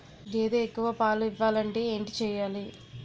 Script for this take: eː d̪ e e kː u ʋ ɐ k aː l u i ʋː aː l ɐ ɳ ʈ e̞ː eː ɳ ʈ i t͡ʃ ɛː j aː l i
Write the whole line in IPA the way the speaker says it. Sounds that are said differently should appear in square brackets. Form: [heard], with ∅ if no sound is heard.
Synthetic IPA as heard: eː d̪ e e kː u ʋ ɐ [p] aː l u i ʋː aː l ɐ ɳ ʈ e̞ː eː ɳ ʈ i t͡ʃ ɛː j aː l i